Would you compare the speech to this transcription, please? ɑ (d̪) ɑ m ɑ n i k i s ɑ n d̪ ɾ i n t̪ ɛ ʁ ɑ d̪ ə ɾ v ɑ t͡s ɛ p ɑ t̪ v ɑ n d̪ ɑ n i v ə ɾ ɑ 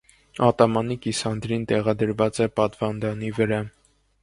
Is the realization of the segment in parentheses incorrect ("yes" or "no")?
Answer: yes